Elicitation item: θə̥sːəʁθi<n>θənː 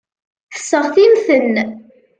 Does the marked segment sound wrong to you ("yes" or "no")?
yes